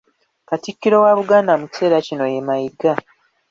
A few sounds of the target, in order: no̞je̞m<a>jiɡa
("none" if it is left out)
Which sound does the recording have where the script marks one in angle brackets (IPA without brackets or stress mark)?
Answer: a